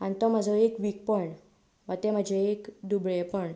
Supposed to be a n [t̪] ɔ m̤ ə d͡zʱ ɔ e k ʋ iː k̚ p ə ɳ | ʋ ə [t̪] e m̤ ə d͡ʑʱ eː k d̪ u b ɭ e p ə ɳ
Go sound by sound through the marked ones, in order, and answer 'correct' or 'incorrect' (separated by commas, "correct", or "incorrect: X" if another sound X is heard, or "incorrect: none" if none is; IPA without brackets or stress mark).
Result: correct, correct